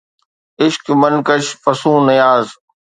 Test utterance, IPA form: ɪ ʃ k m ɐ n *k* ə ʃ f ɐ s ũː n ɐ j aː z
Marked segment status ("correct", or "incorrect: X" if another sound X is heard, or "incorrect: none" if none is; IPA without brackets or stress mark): correct